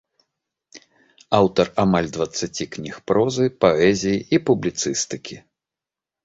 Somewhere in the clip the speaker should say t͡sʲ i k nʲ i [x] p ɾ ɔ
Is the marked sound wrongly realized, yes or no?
no